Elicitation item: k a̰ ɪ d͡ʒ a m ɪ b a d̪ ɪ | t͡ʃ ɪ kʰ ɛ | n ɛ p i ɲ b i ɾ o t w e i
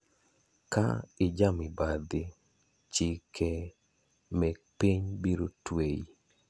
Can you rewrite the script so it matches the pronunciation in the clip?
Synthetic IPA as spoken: k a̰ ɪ d͡ʒ a m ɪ b a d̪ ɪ | t͡ʃ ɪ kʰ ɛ | m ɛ p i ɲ b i ɾ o t w e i